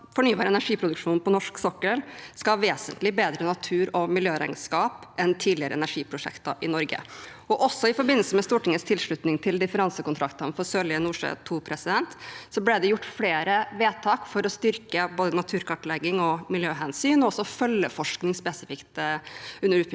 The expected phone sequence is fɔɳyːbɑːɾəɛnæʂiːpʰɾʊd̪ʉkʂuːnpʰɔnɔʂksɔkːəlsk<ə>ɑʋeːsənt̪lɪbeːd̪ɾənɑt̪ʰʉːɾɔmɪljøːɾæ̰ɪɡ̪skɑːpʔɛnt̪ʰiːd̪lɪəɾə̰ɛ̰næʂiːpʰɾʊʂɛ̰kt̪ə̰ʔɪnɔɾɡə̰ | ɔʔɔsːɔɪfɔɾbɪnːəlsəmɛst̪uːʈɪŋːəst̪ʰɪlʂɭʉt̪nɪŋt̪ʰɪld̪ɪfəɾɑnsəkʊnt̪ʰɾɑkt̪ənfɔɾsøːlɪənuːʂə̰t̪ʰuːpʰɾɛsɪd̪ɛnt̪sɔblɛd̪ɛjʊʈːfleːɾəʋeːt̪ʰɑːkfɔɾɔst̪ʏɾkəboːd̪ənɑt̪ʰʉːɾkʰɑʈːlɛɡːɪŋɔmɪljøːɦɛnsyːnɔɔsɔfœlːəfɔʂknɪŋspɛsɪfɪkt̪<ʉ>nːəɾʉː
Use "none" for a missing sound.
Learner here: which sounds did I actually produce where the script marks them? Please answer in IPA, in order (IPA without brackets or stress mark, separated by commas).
ɑ, ʉ